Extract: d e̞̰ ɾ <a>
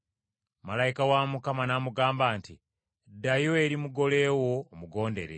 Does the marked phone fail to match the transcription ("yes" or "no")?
yes